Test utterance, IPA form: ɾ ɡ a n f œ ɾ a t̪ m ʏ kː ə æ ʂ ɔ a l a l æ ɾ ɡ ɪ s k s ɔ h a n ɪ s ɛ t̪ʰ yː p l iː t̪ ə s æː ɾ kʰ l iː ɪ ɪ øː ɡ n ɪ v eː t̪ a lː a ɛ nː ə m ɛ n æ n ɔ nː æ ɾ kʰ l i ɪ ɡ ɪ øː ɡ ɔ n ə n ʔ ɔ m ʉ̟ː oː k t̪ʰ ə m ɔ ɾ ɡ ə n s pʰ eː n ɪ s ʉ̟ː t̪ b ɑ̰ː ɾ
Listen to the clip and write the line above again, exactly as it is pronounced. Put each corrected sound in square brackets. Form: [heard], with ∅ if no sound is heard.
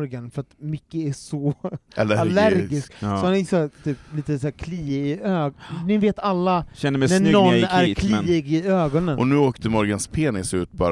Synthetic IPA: ɾ ɡ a n f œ ɾ a t̪ m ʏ kː ə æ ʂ ɔ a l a l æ ɾ ɡ ɪ s k s ɔ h a n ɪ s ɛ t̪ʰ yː p l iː t̪ ə s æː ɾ kʰ l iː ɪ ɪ øː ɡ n ɪ v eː t̪ a lː a ɛ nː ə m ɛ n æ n ɔ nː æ ɾ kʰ l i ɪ ɡ ɪ øː ɡ ɔ n ə n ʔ ɔ [n] ʉ̟ː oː k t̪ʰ ə m ɔ ɾ ɡ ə n s pʰ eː n ɪ s ʉ̟ː t̪ b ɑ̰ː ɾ